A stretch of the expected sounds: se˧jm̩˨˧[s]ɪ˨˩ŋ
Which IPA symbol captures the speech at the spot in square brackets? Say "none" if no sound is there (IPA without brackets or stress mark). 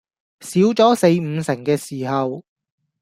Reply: s